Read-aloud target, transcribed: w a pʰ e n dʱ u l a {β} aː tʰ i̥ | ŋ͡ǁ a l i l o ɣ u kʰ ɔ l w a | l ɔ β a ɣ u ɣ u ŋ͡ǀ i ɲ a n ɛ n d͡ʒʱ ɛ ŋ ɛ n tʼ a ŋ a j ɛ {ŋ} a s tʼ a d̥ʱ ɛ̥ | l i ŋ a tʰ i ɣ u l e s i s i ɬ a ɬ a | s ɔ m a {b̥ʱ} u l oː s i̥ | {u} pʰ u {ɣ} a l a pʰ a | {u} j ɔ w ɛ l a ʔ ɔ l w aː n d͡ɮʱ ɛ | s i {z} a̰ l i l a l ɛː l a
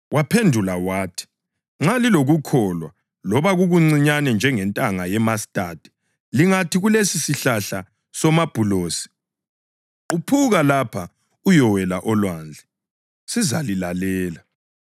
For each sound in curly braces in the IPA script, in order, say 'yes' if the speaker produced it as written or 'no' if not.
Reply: no, no, yes, yes, yes, yes, yes

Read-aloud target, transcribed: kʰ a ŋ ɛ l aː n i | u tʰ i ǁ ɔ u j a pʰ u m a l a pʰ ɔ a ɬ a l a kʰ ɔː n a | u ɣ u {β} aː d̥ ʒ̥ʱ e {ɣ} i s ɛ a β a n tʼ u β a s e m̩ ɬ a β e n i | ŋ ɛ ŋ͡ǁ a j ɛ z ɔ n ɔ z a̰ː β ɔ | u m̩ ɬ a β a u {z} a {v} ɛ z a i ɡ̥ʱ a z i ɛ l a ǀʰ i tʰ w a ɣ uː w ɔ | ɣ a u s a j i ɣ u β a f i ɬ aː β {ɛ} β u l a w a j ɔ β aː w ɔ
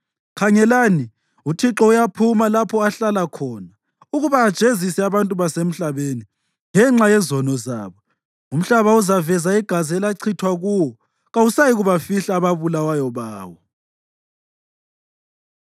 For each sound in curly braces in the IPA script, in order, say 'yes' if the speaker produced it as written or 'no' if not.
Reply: yes, no, yes, yes, no

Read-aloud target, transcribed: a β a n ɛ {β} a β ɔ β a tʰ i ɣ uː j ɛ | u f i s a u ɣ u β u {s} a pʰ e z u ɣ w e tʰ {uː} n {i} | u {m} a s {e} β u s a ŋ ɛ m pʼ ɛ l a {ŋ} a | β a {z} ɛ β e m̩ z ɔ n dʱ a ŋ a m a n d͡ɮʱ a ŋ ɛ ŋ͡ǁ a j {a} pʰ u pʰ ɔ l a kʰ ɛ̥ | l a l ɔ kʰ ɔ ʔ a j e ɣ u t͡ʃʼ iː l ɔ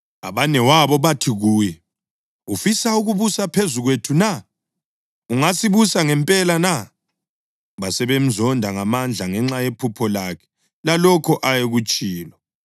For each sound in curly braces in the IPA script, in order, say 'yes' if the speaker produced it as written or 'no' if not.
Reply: no, yes, no, no, no, no, no, no, no

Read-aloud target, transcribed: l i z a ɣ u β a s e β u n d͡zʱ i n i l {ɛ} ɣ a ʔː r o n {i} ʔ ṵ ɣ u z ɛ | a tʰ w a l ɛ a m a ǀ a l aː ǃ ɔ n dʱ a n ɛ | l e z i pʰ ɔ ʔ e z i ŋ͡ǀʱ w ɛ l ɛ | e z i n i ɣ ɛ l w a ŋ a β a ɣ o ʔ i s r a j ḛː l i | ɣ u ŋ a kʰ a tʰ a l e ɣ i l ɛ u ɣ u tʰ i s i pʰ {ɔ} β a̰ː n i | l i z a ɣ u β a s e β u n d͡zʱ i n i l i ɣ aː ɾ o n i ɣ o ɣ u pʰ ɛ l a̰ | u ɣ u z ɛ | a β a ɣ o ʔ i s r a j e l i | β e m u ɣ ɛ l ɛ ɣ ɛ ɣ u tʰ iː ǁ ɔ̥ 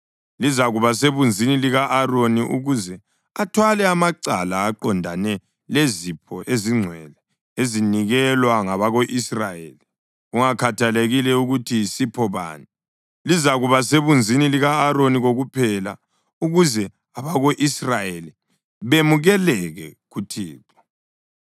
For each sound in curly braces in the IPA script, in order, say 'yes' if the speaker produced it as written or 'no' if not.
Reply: no, yes, yes

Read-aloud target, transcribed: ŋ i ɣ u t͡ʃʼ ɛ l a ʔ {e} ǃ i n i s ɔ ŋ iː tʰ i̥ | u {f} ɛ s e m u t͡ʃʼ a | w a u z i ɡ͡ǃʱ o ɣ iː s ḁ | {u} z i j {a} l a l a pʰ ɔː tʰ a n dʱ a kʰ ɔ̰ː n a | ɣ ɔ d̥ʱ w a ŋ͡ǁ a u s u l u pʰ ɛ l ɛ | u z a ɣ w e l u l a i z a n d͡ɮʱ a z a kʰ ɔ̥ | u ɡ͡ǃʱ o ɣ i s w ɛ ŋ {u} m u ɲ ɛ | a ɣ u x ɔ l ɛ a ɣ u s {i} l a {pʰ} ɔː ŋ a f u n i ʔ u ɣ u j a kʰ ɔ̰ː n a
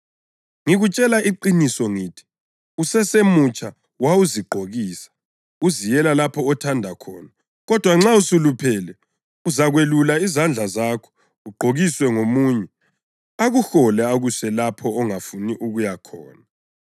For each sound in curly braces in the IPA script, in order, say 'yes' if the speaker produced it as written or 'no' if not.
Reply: no, no, yes, no, no, no, yes

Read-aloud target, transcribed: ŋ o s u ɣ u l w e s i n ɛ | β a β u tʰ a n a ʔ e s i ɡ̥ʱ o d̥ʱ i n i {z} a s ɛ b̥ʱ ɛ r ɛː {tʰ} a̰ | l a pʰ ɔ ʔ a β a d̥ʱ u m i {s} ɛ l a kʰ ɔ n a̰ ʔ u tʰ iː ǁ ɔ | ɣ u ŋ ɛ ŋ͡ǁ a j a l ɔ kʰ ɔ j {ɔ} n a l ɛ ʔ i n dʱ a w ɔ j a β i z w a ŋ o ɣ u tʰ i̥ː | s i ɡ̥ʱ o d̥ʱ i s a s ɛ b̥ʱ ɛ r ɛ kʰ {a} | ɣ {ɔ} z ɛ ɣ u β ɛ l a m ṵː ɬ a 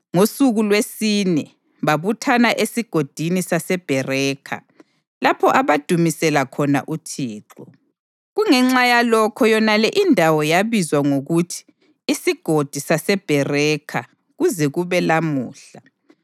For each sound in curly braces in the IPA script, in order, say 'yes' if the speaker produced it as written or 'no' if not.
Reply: no, no, yes, yes, yes, no

